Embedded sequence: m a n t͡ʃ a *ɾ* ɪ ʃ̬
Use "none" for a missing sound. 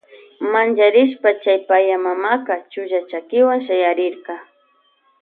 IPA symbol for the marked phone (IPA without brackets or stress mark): ɾ